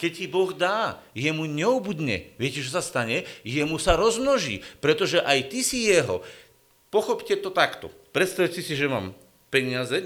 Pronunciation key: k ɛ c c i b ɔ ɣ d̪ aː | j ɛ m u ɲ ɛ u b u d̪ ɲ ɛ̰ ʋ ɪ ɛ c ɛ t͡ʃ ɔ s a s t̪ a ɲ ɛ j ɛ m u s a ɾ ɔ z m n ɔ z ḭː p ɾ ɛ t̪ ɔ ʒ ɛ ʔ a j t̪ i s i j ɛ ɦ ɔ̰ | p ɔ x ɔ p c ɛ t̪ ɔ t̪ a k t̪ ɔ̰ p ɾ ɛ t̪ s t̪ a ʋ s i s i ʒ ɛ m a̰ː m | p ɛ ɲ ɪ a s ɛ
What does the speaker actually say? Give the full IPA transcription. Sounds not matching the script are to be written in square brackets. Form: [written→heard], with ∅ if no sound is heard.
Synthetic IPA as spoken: k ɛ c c i b ɔ ɣ d̪ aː | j ɛ m u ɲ ɛ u b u d̪ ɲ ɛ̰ ʋ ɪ ɛ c ɛ t͡ʃ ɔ s a s t̪ a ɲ ɛ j ɛ m u s a ɾ ɔ z m n ɔ [z→ʒ] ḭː p ɾ ɛ t̪ ɔ ʒ ɛ ʔ a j t̪ i s i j ɛ ɦ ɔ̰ | p ɔ x ɔ p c ɛ t̪ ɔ t̪ a k t̪ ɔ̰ p ɾ ɛ t̪ s t̪ a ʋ s i s i ʒ ɛ m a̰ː m | p ɛ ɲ ɪ a [s→z] ɛ